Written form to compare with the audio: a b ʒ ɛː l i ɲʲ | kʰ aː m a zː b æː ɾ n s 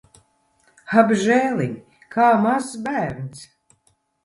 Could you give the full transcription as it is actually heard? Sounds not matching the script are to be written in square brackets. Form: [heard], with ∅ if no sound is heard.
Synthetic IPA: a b ʒ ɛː l i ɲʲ | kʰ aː m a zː b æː ɾ n s

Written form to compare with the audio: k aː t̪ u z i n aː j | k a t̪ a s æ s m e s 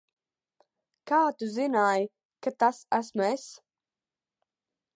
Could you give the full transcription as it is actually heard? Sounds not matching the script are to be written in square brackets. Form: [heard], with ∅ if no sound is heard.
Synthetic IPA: k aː t̪ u z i n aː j | k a t̪ a s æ s m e s

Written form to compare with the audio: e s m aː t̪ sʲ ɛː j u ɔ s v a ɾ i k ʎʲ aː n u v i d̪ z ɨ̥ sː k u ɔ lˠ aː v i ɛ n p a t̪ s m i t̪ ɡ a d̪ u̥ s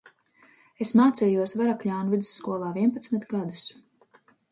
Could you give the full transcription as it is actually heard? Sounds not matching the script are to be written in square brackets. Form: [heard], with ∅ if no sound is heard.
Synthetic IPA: e s m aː t̪ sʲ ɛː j u ɔ s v a ɾ [a] k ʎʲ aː n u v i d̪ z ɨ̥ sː k u ɔ lˠ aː v i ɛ n p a t̪ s m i t̪ ɡ a d̪ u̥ s

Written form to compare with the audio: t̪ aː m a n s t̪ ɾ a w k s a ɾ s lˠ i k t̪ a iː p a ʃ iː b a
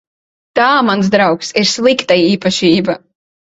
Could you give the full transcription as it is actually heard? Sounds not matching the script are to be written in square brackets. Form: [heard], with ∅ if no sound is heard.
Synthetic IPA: t̪ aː m a n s [d̪] ɾ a w k s [i] ɾ s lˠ i k t̪ a iː p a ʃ iː b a

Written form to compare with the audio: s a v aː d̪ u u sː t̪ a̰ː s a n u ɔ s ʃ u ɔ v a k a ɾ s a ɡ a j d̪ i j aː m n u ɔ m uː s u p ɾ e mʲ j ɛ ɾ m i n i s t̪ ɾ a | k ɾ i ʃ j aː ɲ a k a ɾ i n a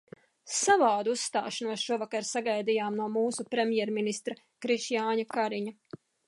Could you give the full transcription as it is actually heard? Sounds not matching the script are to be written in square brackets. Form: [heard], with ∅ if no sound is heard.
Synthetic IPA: s a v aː d̪ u u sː t̪ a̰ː [ʃ] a n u ɔ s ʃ u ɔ v a k a ɾ s a ɡ a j d̪ i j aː m n u ɔ m uː s u p ɾ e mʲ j ɛ ɾ m i n i s t̪ ɾ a | k ɾ i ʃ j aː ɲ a k a ɾ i [ɲ] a

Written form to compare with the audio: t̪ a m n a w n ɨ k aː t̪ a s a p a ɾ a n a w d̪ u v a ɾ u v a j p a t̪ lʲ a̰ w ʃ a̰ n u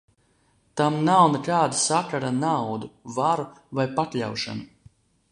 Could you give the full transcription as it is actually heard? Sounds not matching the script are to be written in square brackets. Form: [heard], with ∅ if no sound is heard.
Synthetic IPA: t̪ a m n a w n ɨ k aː [d̪] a s a [k] a ɾ a n a w d̪ u v a ɾ u v a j p a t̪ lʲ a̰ w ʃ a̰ n u

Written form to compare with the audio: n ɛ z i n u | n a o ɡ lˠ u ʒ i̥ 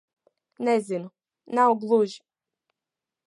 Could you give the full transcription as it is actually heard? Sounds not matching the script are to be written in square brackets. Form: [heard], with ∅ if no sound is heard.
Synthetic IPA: n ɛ z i n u | n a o ɡ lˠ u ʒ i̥

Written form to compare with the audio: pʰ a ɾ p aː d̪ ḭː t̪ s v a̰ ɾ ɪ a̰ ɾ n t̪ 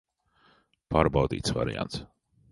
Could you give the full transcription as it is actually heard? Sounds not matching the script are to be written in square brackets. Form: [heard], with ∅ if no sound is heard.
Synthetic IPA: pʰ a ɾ [b] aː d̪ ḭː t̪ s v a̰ ɾ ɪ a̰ [∅] n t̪

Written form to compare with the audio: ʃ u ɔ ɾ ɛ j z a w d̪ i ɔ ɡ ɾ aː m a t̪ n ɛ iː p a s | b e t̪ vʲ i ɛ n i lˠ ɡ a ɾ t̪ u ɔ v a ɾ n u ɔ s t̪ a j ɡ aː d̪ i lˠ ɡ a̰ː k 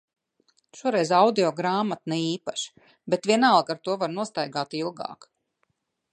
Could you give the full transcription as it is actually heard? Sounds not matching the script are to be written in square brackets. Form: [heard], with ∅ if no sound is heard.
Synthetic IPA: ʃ u ɔ ɾ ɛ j z a w d̪ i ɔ ɡ ɾ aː m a t̪ n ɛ iː p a [ʃ] | b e t̪ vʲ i ɛ n [a] lˠ ɡ a ɾ t̪ u ɔ v a ɾ n u ɔ s t̪ a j ɡ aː [t̪] i lˠ ɡ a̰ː k

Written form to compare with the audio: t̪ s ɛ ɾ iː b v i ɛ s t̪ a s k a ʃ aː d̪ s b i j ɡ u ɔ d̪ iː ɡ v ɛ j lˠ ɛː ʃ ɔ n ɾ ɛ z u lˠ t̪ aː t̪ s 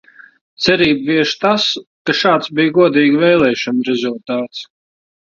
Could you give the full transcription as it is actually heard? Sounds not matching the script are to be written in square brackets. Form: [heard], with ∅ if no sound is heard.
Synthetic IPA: t̪ s ɛ ɾ iː b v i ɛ [ʃ] t̪ a s k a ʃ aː [t̪] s b i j ɡ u ɔ d̪ iː ɡ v ɛ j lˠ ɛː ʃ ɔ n ɾ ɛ z u lˠ t̪ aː t̪ s

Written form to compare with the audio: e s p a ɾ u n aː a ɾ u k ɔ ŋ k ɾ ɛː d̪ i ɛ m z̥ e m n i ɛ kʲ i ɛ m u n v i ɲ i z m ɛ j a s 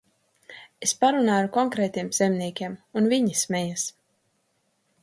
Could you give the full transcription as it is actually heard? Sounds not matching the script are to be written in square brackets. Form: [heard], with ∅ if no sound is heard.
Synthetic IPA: e s p a ɾ u n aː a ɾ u k ɔ ŋ k ɾ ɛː [t̪] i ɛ m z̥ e m n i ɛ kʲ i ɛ m u n v i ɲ i [s] m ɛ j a s

